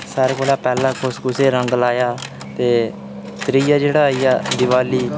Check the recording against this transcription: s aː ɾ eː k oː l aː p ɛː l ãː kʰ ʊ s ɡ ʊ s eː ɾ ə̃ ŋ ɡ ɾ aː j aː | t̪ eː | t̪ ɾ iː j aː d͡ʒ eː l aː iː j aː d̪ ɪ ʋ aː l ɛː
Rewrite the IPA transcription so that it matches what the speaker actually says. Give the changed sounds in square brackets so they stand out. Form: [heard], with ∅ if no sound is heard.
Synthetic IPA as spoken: s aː ɾ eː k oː l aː p ɛː l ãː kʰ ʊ s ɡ ʊ s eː ɾ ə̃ ŋ ɡ [l] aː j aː | t̪ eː | t̪ ɾ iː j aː d͡ʒ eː [ɽ] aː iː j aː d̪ ɪ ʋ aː l [iː]